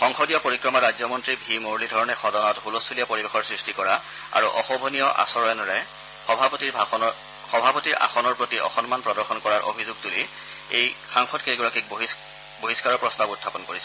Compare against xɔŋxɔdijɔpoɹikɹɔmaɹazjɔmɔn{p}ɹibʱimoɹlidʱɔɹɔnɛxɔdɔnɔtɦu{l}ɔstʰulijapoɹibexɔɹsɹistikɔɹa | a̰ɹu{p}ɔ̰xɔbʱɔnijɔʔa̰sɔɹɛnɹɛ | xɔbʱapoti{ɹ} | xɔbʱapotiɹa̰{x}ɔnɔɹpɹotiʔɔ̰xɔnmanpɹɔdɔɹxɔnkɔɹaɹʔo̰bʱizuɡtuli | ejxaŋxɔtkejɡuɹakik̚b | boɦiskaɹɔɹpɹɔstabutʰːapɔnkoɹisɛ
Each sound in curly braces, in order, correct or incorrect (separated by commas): incorrect, correct, incorrect, correct, correct